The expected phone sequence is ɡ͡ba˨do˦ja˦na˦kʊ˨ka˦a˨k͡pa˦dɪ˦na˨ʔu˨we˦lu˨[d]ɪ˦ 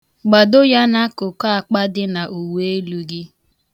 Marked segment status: incorrect: ɡ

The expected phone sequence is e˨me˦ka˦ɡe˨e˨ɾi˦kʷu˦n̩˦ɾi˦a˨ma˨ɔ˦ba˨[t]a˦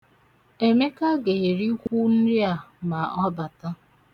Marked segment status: correct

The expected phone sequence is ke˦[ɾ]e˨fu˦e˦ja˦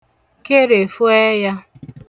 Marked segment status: correct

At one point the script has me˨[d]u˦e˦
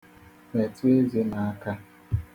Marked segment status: incorrect: t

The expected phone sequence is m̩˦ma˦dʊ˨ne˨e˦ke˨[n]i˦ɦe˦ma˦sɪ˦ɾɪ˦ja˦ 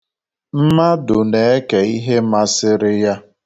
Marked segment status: incorrect: none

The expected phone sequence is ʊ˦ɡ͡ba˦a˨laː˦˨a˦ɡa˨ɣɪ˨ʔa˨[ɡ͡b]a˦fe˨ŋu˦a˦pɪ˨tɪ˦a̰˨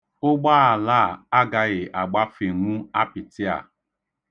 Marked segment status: correct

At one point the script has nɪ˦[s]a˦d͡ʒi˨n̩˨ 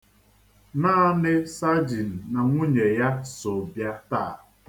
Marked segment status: correct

